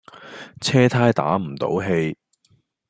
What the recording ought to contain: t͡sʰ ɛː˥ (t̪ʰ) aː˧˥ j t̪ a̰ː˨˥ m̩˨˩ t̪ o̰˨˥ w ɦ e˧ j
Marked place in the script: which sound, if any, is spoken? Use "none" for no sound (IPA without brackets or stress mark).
t̪ʰ